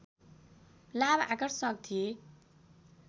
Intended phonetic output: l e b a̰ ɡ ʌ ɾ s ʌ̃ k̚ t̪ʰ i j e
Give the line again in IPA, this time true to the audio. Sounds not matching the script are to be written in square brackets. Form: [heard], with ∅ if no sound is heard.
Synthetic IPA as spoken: l [a] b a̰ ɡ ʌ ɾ s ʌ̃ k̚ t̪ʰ i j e